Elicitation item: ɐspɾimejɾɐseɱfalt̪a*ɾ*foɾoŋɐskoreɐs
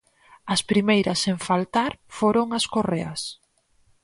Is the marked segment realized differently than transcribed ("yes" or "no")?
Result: no